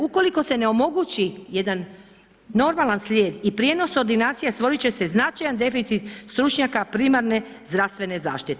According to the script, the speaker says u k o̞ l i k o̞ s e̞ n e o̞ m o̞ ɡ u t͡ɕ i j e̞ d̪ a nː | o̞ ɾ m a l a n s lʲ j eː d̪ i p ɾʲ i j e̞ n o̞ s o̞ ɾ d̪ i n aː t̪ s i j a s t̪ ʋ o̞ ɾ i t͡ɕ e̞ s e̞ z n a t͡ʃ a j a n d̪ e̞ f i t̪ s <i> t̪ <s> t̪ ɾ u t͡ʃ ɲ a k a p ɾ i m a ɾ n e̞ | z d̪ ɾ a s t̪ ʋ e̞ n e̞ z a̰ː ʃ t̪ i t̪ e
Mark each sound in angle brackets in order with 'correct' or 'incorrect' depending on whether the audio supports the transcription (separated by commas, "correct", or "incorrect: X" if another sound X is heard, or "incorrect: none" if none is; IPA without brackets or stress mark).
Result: correct, correct